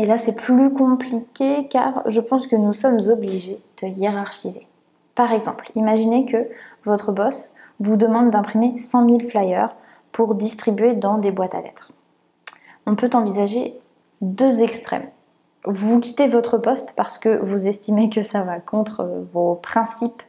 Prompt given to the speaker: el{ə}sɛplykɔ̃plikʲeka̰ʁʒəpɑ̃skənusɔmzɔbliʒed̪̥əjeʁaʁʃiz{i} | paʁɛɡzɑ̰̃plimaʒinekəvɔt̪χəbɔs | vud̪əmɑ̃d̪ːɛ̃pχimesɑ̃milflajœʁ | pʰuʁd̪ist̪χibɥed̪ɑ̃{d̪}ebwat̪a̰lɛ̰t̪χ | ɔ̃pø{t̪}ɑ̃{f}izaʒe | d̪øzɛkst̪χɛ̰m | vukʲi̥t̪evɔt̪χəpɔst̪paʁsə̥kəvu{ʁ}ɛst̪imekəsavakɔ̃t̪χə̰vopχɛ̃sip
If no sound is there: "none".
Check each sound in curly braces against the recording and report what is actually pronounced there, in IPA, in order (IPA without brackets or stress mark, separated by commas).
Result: a, e, d̪, t̪, v, z